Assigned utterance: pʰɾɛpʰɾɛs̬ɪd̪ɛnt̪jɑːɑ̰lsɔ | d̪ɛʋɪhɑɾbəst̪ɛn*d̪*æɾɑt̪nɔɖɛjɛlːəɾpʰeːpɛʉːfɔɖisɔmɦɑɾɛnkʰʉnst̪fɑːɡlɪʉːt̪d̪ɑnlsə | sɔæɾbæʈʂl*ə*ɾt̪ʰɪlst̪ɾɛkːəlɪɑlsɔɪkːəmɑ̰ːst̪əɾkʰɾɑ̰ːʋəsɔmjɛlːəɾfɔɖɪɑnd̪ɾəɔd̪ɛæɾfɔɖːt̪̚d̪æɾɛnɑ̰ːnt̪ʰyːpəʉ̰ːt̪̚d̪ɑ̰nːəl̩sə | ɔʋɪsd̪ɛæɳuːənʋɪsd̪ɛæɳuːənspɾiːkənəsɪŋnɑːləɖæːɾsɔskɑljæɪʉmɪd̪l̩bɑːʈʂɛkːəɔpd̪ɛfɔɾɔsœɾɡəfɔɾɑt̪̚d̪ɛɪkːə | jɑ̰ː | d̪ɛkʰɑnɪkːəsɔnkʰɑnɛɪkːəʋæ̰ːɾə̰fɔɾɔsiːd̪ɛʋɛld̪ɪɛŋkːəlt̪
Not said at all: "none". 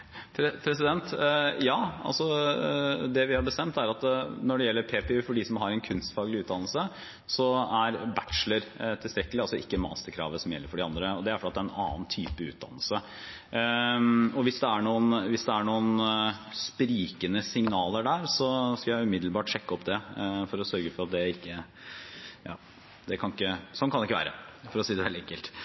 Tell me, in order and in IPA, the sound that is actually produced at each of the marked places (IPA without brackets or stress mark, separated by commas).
t̪, ə